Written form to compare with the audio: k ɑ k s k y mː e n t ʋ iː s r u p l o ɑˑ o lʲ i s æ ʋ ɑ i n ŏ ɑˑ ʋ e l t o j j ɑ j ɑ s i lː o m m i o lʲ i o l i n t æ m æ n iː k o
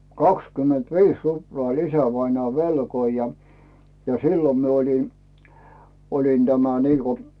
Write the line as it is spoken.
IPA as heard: k ɑ k s k y mː e n t ʋ iː s r u p l o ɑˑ o lʲ i s æ ʋ ɑ i n ŏ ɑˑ ʋ e l k o i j ɑ j ɑ s i lː o m m i o lʲ i o l i n t æ m æ n iː k o